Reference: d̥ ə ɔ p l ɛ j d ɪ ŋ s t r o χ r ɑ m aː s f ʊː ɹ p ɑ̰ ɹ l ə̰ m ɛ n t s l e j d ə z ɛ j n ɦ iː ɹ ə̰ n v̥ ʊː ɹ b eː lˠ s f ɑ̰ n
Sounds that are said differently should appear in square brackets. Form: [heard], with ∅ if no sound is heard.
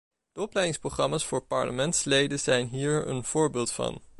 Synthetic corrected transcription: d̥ ə ɔ p l ɛ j d ɪ ŋ s [p] r o χ r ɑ m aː s f ʊː ɹ p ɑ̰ ɹ l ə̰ m ɛ n t s l e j d ə z ɛ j n ɦ iː ɹ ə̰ n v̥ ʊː ɹ b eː lˠ [t] f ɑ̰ n